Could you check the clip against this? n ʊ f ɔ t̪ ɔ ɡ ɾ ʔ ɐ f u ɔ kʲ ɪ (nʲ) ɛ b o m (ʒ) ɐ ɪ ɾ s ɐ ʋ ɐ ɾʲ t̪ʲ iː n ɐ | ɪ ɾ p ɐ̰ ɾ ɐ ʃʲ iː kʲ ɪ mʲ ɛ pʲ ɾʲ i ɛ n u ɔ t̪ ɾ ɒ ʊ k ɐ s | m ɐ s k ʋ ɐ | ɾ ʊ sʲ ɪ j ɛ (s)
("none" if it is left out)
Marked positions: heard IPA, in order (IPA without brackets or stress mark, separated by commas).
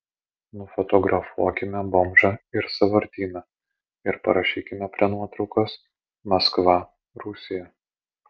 mʲ, ʒ, none